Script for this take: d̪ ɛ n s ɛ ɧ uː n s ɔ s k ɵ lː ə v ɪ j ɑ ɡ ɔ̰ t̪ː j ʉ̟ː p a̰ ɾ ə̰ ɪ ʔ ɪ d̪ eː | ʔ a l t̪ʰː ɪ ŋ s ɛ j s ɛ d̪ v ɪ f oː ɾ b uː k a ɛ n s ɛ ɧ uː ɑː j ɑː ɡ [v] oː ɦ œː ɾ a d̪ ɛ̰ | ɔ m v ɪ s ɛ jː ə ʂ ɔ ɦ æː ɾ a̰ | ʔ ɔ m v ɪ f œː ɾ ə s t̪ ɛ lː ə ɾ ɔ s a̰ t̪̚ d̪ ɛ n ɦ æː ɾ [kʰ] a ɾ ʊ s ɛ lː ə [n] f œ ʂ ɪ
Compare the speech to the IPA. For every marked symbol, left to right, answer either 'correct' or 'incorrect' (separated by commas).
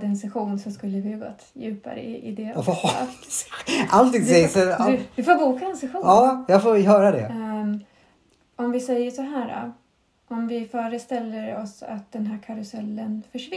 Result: incorrect, correct, correct